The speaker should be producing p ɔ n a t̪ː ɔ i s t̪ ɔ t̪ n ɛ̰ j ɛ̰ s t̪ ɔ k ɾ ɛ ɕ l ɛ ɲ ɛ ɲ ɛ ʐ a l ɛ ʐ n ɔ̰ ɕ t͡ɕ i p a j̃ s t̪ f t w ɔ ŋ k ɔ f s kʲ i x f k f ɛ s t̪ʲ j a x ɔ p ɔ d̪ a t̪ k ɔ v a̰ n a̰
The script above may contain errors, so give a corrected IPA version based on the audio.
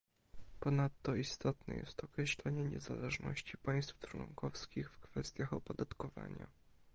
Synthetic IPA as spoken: p ɔ n a t̪ː ɔ i s t̪ ɔ t̪ n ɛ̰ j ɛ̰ s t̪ ɔ k ɾ ɛ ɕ l ɛ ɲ ɛ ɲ ɛ z a l ɛ ʐ n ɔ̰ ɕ t͡ɕ i p a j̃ s t̪ f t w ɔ ŋ k ɔ f s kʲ i x f k f ɛ s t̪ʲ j a x ɔ p ɔ d̪ a t̪ k ɔ v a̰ ɲ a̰